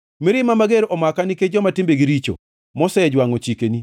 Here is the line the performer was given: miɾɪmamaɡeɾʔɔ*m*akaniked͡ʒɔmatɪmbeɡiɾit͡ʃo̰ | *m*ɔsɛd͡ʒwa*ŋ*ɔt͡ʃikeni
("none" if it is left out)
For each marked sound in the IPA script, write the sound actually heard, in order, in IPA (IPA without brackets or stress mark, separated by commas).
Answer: m, m, ŋ